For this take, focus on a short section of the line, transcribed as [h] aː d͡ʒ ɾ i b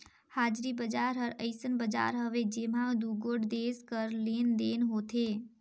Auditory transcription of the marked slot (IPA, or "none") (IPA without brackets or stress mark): h